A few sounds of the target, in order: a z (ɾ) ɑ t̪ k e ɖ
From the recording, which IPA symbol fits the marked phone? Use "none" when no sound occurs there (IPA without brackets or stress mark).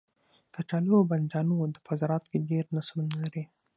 ɾ